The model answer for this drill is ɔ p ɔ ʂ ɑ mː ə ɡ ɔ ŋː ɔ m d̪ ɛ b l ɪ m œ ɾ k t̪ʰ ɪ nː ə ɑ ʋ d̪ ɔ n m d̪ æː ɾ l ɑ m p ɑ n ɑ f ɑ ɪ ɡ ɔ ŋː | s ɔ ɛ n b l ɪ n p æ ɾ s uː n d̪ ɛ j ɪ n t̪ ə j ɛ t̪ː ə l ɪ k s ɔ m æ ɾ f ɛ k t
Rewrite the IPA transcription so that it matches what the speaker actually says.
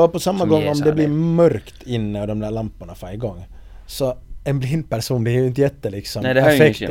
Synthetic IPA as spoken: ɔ p ɔ s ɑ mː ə ɡ ɔ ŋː ɔ m d̪ ɛ b l ɪ m œ ɾ k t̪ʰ ɪ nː ə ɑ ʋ d̪ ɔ m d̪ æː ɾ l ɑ m p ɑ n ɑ f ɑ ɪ ɡ ɔ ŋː | s ɔ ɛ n b l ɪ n p æ ɾ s uː n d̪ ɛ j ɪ n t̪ ə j ɛ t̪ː ə l ɪ k s ɔ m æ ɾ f ɛ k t